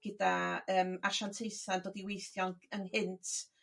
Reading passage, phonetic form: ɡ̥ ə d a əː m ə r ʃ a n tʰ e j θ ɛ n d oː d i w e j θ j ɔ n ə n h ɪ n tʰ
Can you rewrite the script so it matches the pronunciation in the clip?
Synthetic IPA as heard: ɡ̥ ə d a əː m a r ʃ a n tʰ e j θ a n d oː d i w e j θ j ɔ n ə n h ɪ n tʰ